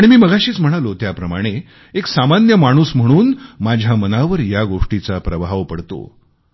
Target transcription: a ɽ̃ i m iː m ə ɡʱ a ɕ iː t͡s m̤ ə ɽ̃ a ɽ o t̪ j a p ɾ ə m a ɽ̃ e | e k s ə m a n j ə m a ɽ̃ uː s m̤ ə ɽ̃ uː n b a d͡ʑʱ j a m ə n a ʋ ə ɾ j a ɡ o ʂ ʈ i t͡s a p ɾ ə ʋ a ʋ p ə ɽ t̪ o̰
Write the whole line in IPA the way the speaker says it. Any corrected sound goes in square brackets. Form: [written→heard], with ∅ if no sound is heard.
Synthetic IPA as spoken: a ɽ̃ i m iː m ə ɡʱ a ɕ iː t͡s m̤ ə ɽ̃ a [ɽ→l] o t̪ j a p ɾ ə m a ɽ̃ e | e k s [ə→a] m a n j ə m a ɽ̃ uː s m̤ ə ɽ̃ uː n [b→m] a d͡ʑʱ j a m ə n a ʋ ə ɾ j a ɡ o ʂ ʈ i t͡s a p ɾ ə ʋ a ʋ p ə ɽ t̪ o̰